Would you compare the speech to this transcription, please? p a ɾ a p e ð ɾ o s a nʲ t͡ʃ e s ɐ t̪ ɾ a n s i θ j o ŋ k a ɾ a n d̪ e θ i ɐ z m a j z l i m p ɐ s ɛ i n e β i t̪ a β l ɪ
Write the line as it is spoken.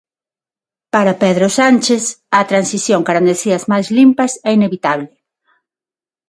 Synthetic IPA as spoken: p a ɾ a p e ð ɾ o s a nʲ t͡ʃ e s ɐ t̪ ɾ a n s i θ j o ŋ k a ɾ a n d̪ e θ i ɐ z m a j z l i m p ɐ s ɛ i n e β i t̪ a β l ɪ